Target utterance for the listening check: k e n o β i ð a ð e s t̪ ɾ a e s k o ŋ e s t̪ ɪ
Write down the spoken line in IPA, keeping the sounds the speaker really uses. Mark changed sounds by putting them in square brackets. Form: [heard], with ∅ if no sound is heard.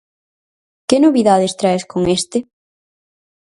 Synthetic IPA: k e n o β i ð a ð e s t̪ ɾ a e s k o ŋ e s t̪ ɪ